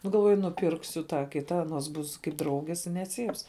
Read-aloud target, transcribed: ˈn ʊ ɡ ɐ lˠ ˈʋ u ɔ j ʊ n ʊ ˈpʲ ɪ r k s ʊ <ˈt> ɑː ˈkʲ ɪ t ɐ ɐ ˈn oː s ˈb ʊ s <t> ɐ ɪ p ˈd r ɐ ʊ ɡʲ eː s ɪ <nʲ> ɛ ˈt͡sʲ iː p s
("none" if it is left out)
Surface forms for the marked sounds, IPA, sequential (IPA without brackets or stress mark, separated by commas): t, k, nʲ